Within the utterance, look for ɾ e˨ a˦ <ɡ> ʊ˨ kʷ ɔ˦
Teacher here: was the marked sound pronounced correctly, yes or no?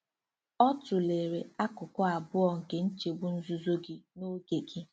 no